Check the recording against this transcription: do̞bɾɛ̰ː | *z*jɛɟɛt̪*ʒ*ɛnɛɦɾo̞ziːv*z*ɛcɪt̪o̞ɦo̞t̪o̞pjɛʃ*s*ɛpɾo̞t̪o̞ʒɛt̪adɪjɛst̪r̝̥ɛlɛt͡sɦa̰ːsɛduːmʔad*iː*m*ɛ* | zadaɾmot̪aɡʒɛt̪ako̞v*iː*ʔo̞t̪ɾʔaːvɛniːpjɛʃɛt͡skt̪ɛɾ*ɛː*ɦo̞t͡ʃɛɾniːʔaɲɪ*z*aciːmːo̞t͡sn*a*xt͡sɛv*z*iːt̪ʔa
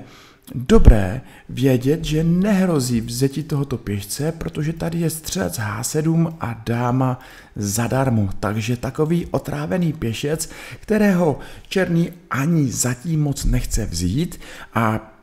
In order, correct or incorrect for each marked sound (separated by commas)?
incorrect, correct, correct, incorrect, incorrect, incorrect, correct, correct, correct, incorrect, correct